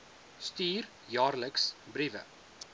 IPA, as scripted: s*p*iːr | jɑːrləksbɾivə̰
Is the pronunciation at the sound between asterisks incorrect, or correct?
incorrect